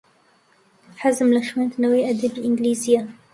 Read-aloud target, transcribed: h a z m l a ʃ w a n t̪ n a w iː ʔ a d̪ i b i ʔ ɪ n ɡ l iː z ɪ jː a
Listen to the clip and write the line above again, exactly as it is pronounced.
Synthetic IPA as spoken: ħ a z m l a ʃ w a n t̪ n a w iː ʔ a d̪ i b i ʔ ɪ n ɡ l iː z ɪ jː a